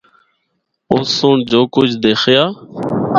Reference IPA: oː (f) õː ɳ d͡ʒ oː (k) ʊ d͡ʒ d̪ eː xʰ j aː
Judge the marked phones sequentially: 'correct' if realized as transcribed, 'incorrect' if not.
incorrect: s, correct

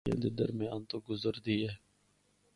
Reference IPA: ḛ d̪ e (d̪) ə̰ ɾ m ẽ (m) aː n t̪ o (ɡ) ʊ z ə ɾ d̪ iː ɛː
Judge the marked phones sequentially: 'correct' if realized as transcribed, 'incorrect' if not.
correct, incorrect: none, correct

